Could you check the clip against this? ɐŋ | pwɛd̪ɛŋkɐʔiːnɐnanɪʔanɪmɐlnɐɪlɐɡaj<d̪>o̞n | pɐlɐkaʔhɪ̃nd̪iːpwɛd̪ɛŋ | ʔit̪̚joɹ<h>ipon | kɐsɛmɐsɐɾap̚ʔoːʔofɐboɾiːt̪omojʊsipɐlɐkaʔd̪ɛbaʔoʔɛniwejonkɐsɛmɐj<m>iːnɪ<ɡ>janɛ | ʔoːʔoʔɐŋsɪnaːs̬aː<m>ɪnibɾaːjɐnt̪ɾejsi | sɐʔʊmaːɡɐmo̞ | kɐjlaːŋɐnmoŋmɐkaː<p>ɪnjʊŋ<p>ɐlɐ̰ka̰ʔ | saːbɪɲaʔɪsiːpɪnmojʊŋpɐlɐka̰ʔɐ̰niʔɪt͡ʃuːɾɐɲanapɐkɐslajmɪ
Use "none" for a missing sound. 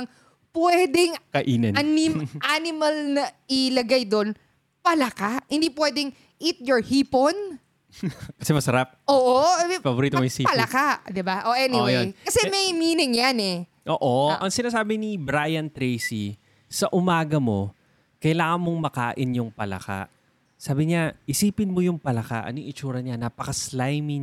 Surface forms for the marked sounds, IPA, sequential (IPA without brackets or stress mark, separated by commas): d̪, h, m, ŋ, b, ʔ, p